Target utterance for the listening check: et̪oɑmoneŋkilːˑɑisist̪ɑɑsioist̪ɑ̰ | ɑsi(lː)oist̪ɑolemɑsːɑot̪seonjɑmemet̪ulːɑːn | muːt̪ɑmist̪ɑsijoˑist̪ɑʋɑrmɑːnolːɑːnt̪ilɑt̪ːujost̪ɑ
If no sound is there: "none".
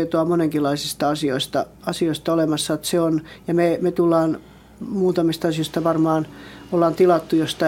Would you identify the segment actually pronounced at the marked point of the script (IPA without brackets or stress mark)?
none